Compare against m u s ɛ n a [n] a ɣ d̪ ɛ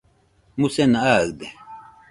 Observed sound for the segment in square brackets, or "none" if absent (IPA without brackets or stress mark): none